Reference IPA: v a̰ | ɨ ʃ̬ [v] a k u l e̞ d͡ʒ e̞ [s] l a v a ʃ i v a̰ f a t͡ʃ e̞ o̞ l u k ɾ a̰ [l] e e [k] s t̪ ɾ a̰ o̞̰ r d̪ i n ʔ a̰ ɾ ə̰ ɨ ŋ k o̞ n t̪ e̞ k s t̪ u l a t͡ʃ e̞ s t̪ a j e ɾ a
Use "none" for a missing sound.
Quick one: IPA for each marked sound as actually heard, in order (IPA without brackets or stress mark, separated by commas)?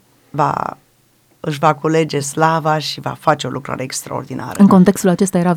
v, s, ɾ, k